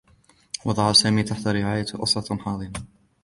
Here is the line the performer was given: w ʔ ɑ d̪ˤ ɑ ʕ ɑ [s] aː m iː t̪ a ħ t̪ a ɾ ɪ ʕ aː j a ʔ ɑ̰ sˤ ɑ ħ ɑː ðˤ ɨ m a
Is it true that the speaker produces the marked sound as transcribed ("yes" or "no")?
yes